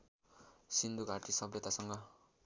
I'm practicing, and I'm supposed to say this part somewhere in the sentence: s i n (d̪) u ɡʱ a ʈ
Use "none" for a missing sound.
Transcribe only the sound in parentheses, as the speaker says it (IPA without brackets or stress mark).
d̪